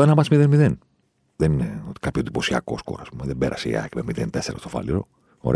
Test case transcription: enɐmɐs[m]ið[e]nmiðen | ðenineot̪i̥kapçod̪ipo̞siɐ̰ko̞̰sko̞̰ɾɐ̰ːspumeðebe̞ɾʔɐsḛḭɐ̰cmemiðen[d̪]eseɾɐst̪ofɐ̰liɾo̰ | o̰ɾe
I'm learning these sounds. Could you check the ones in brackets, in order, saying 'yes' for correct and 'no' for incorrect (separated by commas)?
yes, yes, no